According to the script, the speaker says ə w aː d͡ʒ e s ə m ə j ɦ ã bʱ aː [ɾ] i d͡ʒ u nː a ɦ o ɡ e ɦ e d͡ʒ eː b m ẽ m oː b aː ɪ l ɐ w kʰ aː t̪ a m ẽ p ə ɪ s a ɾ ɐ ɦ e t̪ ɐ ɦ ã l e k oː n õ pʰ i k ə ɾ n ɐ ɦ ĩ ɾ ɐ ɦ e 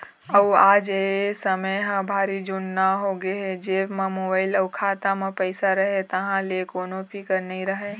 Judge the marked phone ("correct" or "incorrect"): correct